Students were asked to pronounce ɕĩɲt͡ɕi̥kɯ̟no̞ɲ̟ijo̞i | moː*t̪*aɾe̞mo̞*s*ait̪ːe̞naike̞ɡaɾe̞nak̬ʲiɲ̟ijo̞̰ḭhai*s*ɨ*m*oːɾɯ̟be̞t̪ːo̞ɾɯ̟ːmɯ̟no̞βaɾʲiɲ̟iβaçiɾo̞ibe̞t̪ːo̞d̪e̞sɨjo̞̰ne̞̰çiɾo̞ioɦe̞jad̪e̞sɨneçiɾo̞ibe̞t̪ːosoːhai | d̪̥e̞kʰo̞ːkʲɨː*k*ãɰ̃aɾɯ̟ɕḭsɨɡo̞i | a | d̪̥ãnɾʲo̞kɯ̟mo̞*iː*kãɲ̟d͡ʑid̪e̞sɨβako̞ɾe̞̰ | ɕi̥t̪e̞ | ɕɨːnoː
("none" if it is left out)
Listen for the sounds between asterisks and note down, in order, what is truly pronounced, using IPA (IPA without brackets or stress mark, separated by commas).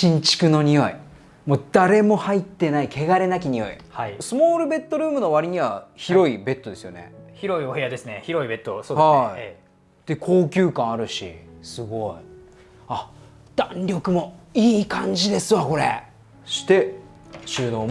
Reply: d̪, h, s, m, k, iː